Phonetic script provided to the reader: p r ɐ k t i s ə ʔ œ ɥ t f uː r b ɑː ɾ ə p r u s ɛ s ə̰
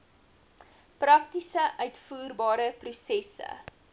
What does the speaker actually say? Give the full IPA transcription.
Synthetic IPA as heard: p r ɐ k t i s ə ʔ œ ɥ t f uː r b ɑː ɾ ə p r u s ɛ s ə̰